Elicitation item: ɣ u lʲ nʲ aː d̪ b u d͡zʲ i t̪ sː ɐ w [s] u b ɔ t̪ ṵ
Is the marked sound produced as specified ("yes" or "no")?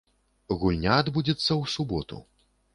yes